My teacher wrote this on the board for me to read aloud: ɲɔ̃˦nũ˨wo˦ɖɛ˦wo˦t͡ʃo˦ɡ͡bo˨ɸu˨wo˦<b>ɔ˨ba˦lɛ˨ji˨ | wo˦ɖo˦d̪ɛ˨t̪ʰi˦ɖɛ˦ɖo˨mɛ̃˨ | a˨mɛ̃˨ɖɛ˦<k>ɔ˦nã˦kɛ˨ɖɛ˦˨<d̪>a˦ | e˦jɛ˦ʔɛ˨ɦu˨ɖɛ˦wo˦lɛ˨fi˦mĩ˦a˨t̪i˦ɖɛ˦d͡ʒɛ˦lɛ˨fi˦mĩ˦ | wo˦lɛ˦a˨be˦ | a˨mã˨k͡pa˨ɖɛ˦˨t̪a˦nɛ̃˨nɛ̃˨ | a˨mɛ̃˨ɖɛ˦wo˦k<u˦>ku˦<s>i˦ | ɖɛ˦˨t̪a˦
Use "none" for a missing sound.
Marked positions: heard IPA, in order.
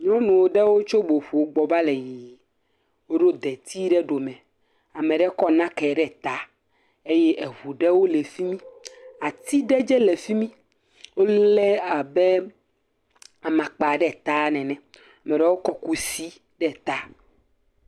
ɡ͡b, k, t̪, ɔ˦, s

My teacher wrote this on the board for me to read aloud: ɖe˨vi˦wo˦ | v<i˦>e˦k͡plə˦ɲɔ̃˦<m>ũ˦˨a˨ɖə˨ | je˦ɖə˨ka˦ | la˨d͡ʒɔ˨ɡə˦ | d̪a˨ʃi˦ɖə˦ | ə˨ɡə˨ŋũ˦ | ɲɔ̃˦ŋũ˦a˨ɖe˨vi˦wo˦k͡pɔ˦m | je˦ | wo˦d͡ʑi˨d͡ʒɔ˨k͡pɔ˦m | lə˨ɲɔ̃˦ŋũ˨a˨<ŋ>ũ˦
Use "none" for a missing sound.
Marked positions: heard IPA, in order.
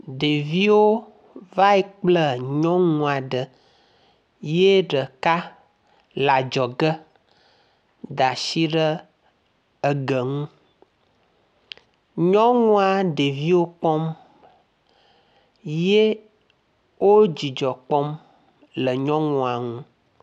a˦, ŋ, ŋ

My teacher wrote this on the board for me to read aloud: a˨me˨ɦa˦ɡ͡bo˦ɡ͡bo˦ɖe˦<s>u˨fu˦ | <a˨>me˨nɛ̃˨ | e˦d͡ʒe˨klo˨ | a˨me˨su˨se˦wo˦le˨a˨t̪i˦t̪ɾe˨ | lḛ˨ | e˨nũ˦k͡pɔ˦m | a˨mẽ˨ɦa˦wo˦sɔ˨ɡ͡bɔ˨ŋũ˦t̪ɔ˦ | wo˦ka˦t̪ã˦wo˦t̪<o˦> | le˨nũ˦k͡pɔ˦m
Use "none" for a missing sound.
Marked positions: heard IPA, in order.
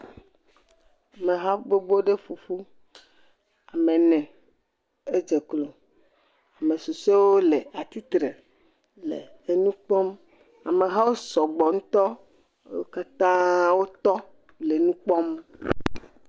f, a˨, ɔ˦

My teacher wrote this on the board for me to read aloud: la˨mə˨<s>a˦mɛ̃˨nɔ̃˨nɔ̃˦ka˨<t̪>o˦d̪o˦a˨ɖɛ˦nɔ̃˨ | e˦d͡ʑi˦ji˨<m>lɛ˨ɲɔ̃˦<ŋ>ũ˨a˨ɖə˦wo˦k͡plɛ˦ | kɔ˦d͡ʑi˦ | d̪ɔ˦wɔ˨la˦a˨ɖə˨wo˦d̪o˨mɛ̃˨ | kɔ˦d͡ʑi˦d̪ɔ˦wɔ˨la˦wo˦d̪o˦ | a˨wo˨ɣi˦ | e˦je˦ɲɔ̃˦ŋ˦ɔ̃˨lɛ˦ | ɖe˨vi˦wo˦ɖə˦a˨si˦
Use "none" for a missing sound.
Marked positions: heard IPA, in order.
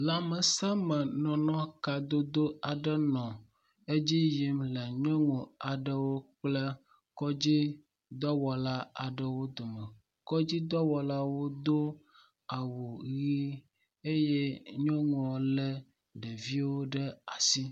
s, d̪, m, ŋ

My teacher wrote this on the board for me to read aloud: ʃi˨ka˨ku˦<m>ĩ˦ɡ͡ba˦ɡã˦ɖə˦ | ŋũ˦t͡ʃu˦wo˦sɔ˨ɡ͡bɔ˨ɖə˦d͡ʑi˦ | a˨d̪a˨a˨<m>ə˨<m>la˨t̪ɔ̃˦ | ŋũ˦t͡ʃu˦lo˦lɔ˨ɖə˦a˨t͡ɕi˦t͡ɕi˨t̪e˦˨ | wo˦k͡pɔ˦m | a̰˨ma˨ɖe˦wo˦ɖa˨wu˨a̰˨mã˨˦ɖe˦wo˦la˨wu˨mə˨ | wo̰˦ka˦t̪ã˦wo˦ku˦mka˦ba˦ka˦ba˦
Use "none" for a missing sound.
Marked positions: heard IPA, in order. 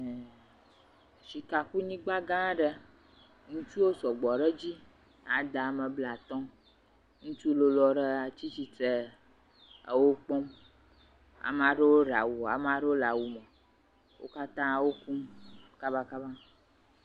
ɲ, m, b

